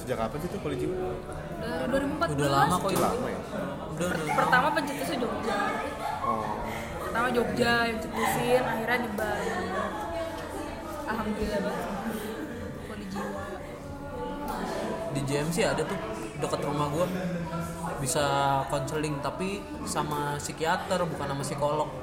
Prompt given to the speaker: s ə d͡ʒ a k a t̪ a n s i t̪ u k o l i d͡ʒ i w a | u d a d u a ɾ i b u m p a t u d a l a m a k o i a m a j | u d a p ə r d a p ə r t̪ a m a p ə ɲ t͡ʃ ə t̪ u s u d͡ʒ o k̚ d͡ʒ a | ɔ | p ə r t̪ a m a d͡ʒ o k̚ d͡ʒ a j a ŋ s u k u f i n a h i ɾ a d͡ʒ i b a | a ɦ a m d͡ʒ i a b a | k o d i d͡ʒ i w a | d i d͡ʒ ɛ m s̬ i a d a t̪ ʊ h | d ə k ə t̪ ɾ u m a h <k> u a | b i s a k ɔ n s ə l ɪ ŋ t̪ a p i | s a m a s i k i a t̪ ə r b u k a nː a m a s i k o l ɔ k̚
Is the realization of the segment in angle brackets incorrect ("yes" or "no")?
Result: yes